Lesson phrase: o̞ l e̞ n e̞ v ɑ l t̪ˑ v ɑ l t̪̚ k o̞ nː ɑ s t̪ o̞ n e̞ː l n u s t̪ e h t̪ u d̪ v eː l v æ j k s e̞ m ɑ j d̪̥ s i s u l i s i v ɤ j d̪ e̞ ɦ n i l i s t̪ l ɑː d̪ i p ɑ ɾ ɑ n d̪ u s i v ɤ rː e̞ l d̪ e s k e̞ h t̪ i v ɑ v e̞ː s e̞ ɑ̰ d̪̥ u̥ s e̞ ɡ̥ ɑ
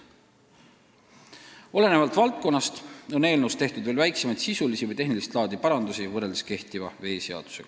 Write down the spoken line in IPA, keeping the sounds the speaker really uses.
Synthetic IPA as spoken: o̞ l e̞ n e̞ v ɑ l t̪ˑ v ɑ l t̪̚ k o̞ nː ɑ s t̪ o̞ n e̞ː l n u s t̪ e h t̪ u d̪ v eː l v æ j k s e̞ m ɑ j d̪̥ s i s u l i s i v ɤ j t̪ e̞ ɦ n i l i s t̪ l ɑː d̪ i p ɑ ɾ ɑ n d̪ u s i v ɤ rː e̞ l d̪ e s k e̞ h t̪ i v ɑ v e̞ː s e̞ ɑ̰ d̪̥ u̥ s e̞ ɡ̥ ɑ